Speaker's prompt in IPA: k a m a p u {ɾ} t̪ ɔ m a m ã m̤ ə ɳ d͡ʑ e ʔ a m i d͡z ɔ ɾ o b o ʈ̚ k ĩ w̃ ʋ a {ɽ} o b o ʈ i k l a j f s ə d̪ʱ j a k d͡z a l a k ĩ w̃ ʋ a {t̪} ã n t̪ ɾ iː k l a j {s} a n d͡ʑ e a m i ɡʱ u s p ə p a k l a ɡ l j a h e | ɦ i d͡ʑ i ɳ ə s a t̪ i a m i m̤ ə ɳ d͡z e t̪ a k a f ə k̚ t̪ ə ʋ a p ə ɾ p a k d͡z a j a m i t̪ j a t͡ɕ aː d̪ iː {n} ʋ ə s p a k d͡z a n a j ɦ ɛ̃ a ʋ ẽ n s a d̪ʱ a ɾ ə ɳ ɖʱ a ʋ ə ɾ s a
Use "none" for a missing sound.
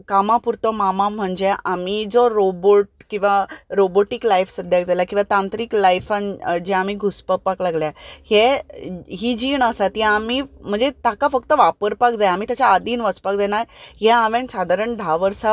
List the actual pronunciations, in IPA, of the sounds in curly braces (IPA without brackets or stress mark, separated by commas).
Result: ɾ, ɾ, t̪, f, n